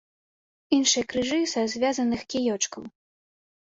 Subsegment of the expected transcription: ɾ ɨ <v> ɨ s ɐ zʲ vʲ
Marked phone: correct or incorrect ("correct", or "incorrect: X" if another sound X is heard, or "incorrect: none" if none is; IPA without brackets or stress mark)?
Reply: incorrect: ʐ